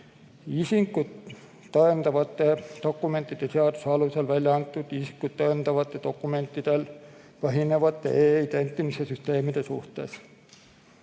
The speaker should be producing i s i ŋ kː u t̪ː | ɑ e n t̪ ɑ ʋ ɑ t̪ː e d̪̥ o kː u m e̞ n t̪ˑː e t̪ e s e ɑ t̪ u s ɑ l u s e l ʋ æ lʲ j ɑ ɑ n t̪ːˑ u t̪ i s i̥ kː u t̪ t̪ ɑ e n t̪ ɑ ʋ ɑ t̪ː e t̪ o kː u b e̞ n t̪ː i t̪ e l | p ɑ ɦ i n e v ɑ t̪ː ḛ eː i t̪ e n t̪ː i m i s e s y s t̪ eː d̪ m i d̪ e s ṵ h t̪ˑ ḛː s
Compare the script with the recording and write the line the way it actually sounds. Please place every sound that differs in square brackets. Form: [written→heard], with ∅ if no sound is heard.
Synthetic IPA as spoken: i s i ŋ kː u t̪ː | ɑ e n t̪ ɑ ʋ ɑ t̪ː e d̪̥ o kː u m e̞ n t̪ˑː [e→i] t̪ e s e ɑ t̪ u s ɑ l u s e l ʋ æ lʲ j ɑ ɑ n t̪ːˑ u t̪ i s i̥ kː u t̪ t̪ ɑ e n t̪ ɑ ʋ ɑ t̪ː e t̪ o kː u [b→m] e̞ n t̪ː i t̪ e l | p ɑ ɦ i n e [v→ʋ] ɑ t̪ː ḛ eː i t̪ e n t̪ː i m i s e s y s t̪ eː [d̪→∅] m i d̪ e s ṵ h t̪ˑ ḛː s